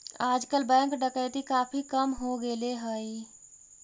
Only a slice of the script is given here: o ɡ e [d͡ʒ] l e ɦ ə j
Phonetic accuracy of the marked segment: incorrect: none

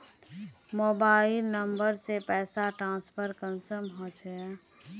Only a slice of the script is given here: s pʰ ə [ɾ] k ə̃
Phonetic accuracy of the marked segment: correct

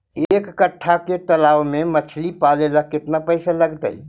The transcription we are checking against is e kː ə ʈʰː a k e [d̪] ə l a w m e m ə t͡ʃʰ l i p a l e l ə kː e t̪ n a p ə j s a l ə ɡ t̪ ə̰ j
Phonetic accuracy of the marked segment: incorrect: t̪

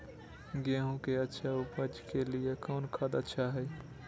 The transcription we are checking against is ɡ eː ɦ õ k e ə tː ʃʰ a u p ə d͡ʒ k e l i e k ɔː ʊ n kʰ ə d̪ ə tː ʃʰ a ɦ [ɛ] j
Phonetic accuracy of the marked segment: correct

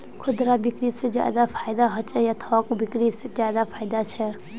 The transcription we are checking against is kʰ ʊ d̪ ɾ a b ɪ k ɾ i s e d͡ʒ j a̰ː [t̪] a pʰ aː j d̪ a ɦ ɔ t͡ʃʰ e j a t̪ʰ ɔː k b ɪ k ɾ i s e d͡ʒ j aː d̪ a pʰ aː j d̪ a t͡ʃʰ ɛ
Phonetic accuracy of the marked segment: incorrect: d̪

